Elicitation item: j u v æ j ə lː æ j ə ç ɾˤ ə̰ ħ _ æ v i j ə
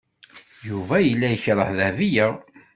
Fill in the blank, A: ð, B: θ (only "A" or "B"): A